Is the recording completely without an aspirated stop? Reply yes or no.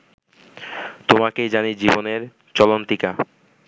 yes